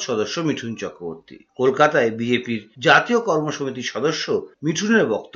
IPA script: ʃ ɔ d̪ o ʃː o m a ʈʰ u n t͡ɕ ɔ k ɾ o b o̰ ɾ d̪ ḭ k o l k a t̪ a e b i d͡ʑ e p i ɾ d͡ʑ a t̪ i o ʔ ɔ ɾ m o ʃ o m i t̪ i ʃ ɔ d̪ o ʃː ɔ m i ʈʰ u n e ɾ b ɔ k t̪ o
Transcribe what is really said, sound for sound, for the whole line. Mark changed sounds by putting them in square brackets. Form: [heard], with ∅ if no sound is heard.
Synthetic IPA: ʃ ɔ d̪ o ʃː o m [i] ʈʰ u n t͡ɕ ɔ k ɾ o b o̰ ɾ [t̪] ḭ k o l k a t̪ a e b i d͡ʑ e p i ɾ d͡ʑ a t̪ i o [k] ɔ ɾ m o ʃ o m i t̪ i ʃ ɔ d̪ o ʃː [o] m i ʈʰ u n e ɾ b ɔ k t̪ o